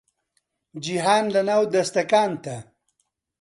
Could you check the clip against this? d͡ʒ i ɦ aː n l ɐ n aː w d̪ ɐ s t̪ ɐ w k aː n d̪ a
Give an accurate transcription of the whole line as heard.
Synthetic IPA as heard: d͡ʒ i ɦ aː n l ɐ n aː w d̪ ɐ s t̪ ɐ k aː n t̪ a